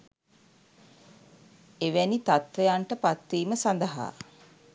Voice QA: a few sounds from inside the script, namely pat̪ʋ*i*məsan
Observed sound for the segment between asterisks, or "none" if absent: iː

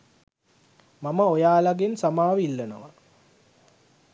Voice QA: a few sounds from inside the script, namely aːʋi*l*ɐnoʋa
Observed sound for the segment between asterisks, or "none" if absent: lː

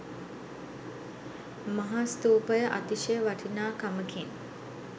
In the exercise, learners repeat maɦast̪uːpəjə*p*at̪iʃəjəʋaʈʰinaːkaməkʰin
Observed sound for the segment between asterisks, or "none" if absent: ʔ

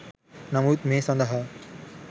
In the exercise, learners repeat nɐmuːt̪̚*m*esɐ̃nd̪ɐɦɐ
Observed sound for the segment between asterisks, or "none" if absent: m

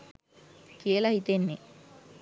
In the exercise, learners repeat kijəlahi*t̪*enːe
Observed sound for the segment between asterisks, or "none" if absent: t̪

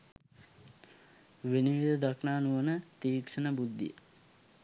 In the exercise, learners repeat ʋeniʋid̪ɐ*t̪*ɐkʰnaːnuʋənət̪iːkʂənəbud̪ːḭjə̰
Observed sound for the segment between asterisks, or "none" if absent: d̪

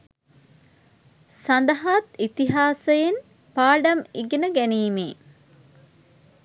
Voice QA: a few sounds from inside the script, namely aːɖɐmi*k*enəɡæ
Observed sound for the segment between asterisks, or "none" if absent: ɡ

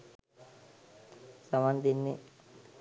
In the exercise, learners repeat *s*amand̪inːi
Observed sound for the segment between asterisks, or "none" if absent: s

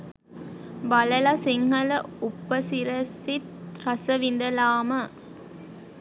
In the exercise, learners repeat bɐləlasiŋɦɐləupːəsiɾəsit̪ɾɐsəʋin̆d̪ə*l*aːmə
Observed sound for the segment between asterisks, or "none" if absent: l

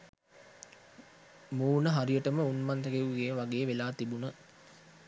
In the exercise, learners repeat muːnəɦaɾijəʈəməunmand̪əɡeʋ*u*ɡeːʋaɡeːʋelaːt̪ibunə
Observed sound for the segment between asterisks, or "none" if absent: u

